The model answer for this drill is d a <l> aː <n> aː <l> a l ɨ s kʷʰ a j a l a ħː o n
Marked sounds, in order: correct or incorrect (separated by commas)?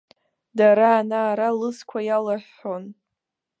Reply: incorrect, correct, incorrect